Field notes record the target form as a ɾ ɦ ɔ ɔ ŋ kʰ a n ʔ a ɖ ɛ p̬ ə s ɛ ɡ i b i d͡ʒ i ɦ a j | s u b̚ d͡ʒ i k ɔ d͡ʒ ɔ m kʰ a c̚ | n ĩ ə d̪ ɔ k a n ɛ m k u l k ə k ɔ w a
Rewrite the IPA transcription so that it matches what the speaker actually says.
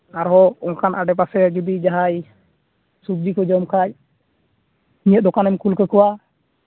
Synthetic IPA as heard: a ɾ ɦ ɔ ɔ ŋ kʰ a n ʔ a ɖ ɛ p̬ a s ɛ ɡ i b i d͡ʒ a ɦ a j | s u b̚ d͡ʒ i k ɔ d͡ʒ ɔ m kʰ a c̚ | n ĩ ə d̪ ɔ k a n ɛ m k u l k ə k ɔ w a